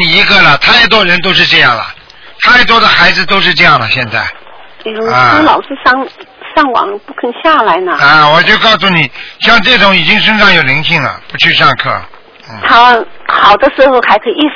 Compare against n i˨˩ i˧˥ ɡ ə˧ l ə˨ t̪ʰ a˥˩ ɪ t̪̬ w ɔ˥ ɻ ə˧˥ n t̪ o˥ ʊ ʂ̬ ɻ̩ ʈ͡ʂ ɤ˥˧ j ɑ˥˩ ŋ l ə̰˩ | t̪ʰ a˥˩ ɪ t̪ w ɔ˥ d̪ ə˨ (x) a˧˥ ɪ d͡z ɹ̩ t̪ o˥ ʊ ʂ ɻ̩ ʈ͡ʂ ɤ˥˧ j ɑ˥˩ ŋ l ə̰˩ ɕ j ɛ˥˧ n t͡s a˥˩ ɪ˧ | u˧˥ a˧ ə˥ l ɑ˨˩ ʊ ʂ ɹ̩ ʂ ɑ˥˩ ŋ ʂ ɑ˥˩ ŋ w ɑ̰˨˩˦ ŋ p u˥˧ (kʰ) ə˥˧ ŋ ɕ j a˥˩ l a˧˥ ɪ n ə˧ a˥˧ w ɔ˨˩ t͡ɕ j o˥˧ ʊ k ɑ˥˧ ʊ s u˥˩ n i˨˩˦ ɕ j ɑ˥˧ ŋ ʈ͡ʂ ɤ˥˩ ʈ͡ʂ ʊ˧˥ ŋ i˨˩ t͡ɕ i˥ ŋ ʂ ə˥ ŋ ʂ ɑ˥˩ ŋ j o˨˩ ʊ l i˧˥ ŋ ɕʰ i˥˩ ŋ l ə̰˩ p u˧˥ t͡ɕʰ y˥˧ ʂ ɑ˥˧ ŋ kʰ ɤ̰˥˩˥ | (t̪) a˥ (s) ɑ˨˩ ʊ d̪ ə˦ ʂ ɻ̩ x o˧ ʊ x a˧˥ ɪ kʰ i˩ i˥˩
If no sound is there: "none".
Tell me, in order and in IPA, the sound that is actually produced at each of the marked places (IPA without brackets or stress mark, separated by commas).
x, kʰ, t̪ʰ, x